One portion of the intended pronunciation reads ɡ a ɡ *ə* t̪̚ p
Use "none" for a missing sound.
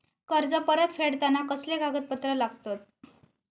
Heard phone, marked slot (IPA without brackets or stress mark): ə